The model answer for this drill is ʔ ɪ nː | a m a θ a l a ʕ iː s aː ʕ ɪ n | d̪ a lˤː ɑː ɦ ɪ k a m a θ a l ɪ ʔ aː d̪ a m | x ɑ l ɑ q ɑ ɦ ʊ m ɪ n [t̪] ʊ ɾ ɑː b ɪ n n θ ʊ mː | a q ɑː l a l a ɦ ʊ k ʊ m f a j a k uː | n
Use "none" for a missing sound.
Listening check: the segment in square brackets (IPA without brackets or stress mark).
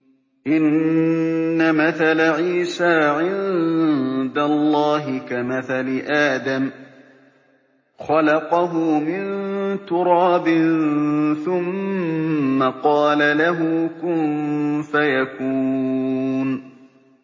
t̪